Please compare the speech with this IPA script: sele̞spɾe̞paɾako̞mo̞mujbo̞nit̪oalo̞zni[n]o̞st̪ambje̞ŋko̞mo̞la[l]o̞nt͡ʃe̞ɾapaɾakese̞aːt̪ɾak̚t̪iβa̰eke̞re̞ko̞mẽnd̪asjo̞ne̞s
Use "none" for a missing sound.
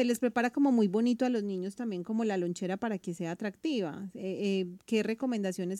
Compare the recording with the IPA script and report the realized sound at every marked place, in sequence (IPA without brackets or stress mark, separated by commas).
ɲ, l